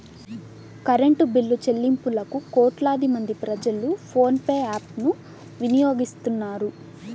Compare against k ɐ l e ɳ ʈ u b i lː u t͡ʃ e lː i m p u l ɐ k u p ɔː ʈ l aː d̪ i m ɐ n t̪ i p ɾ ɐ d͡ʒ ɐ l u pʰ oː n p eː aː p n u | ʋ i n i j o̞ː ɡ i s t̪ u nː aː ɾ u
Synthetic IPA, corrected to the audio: k ɐ ɾ e ɳ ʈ u b i lː u t͡ʃ e lː i m p u l ɐ k u k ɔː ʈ l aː d̪ i m ɐ n d̪ i p ɾ ɐ d͡ʒ ɐ l u pʰ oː n p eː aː p n u | ʋ i n i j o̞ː ɡ i s t̪ u nː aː ɾ u